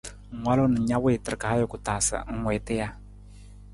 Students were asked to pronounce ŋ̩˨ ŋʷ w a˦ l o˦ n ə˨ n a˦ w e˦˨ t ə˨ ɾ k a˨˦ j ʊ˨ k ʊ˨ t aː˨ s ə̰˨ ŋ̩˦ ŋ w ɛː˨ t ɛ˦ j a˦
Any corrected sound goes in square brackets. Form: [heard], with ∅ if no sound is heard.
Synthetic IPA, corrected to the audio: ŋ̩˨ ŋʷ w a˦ l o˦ n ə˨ [ɲ] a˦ w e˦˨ t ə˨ ɾ k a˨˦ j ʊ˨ k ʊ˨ t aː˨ s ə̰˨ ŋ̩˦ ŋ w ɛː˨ t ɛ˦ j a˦